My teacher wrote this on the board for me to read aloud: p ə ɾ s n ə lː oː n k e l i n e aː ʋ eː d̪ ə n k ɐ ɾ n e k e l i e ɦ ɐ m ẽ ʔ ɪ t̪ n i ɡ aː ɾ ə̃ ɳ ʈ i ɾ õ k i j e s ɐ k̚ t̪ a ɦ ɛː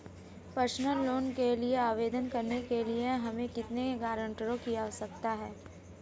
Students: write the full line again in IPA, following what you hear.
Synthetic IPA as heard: p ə ɾ s n ə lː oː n k e l i e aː ʋ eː d̪ ə n k ɐ ɾ n e k e l i e ɦ ɐ m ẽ k ɪ t̪ n e ɡ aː ɾ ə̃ ɳ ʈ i ɾ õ k i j a s ɐ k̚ t̪ a ɦ ɛː